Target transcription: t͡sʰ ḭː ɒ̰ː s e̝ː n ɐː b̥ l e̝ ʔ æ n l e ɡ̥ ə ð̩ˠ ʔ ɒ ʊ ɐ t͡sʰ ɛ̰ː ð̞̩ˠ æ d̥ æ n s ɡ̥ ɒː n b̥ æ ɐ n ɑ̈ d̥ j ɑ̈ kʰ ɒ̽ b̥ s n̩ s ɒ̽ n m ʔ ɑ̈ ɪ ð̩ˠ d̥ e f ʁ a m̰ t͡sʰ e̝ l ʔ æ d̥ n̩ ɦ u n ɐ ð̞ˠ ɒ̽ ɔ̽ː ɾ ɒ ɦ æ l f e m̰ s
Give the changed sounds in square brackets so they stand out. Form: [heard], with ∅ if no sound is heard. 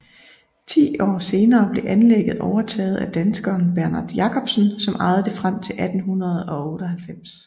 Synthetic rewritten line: t͡sʰ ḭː ɒ̰ː s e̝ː n ɐː b̥ l e̝ ʔ æ n l e ɡ̥ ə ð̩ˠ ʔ ɒ ʊ ɐ t͡sʰ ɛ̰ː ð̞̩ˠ æ d̥ æ n s ɡ̥ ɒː n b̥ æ ɐ n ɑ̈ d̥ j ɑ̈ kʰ ɒ̽ b̥ s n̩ s ɒ̽ [∅] m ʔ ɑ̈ ɪ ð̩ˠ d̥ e f ʁ a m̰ t͡sʰ e̝ l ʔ æ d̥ n̩ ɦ u n ɐ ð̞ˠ ɒ̽ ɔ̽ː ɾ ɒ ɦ æ l f e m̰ s